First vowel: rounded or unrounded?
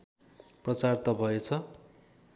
unrounded